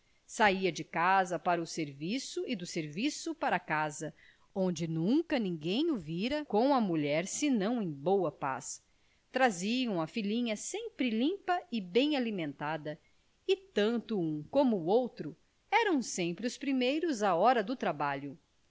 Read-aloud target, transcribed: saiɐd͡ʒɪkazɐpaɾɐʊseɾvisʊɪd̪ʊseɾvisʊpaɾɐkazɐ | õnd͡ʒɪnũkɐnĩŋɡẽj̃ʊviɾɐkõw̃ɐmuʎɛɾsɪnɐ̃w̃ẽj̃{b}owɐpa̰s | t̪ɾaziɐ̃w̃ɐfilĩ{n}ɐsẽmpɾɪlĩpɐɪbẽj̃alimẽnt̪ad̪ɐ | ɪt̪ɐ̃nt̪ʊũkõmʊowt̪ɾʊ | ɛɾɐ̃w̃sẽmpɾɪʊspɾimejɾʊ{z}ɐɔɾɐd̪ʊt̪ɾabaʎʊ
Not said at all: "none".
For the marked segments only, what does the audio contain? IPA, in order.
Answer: b, ɲ, z

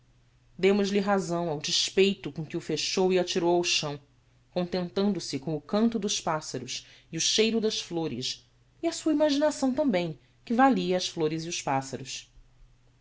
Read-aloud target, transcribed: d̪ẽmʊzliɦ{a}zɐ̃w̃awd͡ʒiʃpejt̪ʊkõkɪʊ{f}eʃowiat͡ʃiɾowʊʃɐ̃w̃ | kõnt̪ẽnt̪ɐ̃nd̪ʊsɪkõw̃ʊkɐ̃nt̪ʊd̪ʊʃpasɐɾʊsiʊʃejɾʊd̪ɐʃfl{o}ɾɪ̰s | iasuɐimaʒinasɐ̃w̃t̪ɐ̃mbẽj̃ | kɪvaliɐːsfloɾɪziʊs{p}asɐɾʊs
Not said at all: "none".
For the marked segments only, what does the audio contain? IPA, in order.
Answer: a, f, o, p

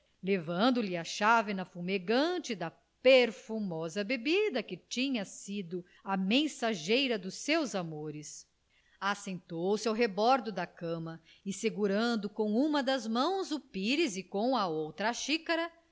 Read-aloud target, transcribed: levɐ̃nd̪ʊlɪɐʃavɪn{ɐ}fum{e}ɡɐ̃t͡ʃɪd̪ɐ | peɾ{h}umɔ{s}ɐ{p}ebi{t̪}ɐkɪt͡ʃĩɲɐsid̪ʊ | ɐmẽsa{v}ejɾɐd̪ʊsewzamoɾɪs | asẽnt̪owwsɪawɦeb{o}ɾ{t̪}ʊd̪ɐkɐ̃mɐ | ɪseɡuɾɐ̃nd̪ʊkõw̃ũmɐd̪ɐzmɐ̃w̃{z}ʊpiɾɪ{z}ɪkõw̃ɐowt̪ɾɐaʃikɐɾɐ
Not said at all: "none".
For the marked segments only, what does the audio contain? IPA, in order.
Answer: ɐ, e, f, z, b, d̪, ʒ, ɔ, d̪, z, z

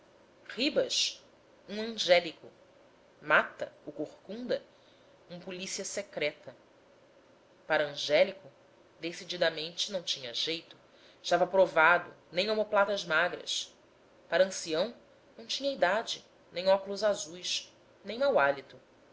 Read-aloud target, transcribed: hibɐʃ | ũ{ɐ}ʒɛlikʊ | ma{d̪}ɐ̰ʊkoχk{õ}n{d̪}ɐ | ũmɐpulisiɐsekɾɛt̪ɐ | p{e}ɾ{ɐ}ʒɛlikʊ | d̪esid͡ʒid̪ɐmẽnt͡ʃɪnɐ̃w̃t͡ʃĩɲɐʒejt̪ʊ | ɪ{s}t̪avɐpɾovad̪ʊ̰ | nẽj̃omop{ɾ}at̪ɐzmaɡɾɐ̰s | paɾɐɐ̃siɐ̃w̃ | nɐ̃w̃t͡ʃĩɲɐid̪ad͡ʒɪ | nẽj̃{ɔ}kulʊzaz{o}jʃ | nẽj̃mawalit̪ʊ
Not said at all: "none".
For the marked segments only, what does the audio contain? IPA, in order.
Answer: ɐ̃, t̪, ũ, d̪, a, ɐ̃, ʃ, l, ɔ, u

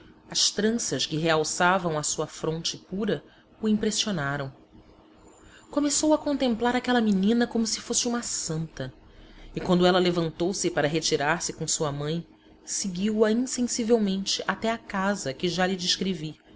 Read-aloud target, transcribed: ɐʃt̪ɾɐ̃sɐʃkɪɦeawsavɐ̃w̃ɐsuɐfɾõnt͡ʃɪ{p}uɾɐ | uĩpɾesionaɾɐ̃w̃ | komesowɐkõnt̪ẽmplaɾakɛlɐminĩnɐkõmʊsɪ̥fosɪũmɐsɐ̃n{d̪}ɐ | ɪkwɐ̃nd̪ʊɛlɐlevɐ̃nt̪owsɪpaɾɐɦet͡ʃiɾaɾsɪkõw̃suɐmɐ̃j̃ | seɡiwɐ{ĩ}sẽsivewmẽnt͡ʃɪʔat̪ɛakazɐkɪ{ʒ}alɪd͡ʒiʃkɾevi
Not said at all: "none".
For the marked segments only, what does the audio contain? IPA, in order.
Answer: p, t̪, ĩ, ʒ

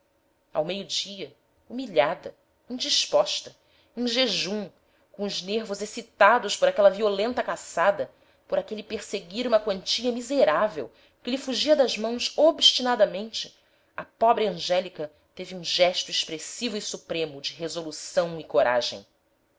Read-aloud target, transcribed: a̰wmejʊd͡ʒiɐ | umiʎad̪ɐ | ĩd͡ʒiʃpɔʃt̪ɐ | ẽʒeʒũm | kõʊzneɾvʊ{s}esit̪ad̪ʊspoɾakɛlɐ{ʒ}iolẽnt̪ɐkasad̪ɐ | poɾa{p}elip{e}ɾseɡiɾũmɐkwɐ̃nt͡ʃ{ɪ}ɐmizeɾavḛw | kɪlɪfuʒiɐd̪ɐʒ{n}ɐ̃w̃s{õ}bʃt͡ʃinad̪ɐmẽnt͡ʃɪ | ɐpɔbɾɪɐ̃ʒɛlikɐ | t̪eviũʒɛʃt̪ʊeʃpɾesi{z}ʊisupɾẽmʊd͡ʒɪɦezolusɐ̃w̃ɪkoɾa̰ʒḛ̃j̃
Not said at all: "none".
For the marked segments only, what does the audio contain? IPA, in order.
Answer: z, v, k, e, i, m, o, v

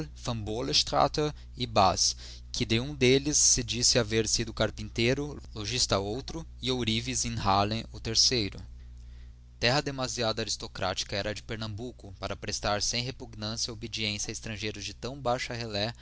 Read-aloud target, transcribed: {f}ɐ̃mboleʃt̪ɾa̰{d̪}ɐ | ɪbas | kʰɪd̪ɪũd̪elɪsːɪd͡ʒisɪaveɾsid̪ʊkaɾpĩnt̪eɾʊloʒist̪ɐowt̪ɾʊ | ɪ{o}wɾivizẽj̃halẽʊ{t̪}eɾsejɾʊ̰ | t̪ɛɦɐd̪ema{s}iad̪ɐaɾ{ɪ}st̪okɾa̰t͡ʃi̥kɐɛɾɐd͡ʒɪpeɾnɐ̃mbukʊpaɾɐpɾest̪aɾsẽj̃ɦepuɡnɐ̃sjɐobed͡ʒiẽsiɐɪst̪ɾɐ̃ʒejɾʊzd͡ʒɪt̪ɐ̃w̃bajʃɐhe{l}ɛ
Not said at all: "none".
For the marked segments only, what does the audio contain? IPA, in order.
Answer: f, t̪, o, t̪, z, i, l

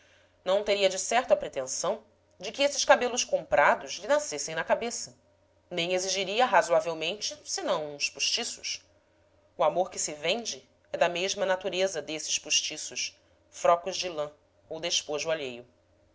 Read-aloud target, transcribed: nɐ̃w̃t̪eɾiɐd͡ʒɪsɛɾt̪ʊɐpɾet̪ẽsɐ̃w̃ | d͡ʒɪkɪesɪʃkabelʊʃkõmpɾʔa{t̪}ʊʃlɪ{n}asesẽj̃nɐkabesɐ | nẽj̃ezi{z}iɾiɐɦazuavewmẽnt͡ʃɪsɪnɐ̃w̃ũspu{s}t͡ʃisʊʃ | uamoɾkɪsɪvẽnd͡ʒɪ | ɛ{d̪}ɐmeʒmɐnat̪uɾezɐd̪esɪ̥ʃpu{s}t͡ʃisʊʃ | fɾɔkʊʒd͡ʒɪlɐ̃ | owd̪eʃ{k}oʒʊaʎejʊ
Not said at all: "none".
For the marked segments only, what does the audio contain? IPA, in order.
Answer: d̪, n, ʒ, ʃ, d̪, ʃ, p

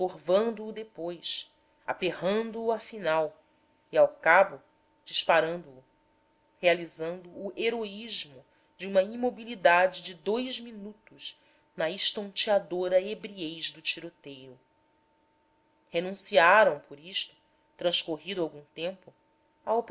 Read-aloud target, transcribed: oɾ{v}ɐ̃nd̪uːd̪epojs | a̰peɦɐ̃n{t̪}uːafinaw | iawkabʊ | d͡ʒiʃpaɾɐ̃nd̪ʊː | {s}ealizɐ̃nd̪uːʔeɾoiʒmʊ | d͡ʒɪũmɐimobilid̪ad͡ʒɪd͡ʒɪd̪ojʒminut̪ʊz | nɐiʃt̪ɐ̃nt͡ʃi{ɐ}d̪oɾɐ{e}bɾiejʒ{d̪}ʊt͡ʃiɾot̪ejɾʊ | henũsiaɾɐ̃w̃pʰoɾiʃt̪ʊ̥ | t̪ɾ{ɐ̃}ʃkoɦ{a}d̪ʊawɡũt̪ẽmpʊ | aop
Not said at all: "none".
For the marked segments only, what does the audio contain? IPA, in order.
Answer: v, d̪, h, a, e, d̪, ɐ̃, i

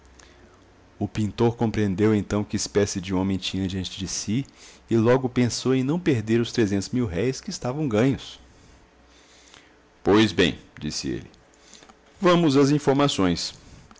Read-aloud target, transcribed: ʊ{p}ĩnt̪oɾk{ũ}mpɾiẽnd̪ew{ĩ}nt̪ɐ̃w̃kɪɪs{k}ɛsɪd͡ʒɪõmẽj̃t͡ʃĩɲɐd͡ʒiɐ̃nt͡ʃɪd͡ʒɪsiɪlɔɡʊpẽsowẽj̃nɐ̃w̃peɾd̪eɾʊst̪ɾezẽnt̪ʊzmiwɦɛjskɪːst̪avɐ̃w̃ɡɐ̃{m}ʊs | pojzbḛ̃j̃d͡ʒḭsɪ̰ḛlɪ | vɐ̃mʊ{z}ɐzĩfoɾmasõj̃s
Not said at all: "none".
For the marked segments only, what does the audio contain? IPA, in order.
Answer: p, õ, ẽ, p, ɲ, z

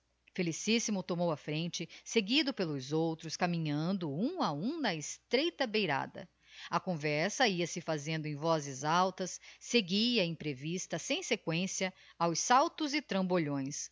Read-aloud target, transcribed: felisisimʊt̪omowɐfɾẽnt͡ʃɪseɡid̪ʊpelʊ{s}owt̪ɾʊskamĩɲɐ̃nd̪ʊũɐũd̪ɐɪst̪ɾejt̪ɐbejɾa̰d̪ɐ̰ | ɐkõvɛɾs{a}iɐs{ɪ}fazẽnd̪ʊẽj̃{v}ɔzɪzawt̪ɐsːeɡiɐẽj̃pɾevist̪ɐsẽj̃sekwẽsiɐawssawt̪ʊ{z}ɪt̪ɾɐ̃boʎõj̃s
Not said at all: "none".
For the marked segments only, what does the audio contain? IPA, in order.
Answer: z, ɐ, ɪ, v, z

